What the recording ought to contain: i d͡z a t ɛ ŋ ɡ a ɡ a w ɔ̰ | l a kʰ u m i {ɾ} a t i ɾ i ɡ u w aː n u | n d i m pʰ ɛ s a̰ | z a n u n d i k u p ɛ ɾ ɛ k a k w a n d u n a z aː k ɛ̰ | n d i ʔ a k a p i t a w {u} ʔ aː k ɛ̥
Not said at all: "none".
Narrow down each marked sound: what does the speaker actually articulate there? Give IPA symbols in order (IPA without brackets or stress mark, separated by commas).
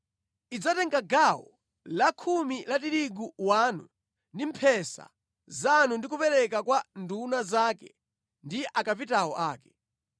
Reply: l, ɔ